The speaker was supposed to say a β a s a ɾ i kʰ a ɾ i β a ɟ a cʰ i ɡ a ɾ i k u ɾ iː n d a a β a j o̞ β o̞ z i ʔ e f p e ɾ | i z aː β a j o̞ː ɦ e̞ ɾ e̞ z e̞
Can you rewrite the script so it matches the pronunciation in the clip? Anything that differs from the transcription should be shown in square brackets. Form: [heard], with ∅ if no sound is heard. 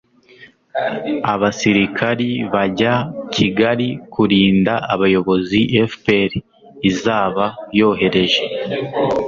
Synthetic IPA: a β a s [i] ɾ i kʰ a ɾ i β a ɟ a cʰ i ɡ a ɾ i k u ɾ iː n d a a β a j o̞ β o̞ z i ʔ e f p e ɾ | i z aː β a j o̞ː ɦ e̞ ɾ e̞ [ʒ] e̞